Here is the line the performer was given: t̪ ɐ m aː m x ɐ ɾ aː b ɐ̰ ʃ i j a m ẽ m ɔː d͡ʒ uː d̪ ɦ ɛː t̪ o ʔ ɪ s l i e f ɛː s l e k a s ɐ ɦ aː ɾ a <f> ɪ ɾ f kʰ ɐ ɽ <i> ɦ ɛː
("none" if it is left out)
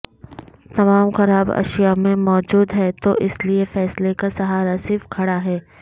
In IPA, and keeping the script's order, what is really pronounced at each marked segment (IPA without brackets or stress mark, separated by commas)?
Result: s, a